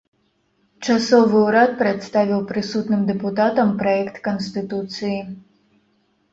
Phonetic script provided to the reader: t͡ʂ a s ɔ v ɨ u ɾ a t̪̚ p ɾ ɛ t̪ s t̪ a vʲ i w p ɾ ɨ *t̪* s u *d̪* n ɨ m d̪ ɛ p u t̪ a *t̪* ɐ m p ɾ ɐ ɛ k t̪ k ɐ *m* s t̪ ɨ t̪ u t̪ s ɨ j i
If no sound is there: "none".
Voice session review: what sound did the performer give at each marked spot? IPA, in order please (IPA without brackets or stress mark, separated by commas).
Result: none, t̪, t̪, n